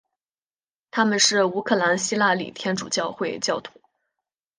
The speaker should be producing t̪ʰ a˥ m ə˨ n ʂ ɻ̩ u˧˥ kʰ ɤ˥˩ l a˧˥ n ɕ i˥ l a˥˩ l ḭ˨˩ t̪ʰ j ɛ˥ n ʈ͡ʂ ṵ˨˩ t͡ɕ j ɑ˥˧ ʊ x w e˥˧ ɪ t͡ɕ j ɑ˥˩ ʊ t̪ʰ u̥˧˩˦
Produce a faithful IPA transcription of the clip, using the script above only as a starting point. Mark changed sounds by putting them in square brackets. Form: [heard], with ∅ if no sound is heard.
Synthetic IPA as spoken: t̪ʰ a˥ m ə˨ n ʂ ɻ̩ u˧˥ kʰ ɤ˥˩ l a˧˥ n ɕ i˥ l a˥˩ l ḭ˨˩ t̪ʰ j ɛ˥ n ʈ͡ʂ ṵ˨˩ t͡ɕ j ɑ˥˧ ʊ x w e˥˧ ɪ t͡ɕ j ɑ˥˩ ʊ t̪ʰ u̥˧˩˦